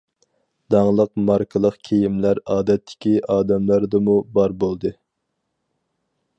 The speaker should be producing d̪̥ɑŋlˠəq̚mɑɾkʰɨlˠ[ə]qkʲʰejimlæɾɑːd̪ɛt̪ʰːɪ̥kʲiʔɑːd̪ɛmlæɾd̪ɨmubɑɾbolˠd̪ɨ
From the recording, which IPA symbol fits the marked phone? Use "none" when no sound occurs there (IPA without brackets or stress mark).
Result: ə